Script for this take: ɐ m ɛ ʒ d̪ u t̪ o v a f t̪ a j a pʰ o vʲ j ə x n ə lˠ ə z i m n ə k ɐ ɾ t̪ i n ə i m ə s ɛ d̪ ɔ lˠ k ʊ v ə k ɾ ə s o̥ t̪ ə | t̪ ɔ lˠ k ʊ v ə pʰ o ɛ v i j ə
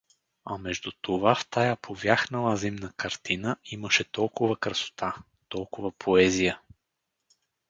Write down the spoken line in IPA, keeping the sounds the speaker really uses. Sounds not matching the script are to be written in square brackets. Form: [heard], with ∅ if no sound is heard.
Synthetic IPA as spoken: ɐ m ɛ ʒ d̪ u t̪ o v a f t̪ a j a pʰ o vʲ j [a] x n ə lˠ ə z i m n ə k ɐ ɾ t̪ i n ə i m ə [ʃ] ɛ [t̪] ɔ lˠ k ʊ v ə k ɾ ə s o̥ t̪ [a] | t̪ ɔ lˠ k ʊ v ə pʰ o ɛ [z] i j ə